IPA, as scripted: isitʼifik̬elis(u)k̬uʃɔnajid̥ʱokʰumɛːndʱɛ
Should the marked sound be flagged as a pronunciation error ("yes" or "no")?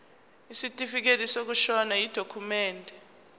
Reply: yes